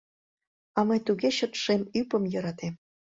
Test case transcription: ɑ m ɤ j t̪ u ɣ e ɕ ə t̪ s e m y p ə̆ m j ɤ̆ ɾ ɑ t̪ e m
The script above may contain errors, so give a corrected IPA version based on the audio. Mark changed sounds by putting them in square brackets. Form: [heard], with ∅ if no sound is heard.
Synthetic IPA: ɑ m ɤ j t̪ u ɣ e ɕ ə t̪ [ʃ] e m y p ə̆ m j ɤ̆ ɾ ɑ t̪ e m